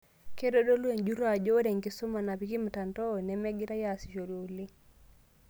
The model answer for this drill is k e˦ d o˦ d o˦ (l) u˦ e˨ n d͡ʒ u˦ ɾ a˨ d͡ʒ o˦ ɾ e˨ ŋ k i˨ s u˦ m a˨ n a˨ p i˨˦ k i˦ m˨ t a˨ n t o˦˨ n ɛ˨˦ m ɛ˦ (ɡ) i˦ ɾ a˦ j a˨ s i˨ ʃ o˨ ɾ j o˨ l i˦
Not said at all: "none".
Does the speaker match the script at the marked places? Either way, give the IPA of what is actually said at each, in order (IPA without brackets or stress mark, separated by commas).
l, ɡ